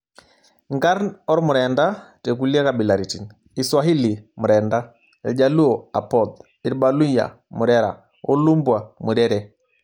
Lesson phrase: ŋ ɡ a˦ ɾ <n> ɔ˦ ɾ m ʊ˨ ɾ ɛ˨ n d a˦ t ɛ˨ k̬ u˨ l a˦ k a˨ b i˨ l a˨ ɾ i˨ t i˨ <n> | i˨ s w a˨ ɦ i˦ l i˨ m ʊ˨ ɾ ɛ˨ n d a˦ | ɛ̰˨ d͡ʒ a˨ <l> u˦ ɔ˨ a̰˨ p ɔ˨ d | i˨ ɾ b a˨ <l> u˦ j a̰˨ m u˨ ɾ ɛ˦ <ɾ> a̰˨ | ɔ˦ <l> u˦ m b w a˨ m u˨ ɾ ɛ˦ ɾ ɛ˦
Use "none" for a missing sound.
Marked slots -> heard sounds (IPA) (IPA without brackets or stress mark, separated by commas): n, n, l, l, ɾ, l